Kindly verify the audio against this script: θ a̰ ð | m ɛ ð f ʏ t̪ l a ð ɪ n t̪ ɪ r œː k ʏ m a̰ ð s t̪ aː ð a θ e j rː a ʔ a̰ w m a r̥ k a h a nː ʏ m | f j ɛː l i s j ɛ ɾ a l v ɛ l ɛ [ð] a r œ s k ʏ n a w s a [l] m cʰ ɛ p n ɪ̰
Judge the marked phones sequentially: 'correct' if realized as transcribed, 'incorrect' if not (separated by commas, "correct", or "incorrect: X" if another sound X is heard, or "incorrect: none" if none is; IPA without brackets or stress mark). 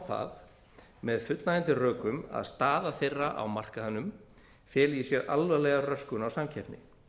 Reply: incorrect: ɣ, incorrect: none